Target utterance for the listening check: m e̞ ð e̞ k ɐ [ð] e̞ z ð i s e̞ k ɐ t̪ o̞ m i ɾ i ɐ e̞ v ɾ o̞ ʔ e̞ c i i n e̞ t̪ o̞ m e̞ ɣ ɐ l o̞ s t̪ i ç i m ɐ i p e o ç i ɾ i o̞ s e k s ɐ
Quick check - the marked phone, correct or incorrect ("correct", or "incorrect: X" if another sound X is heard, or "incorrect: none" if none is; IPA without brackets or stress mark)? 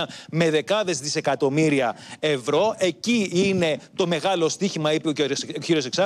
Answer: correct